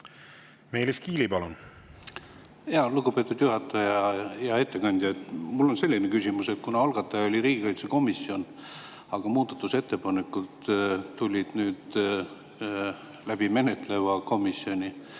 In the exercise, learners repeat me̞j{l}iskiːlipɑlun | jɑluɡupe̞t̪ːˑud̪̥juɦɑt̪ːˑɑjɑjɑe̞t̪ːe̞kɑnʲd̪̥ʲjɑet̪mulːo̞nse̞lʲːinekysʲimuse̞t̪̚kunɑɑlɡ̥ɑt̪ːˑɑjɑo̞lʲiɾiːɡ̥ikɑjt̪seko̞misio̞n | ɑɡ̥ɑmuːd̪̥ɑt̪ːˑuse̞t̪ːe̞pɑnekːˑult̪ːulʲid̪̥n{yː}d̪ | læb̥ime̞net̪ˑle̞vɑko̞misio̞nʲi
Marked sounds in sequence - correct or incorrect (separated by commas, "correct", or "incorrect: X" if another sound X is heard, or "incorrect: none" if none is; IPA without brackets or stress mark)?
correct, correct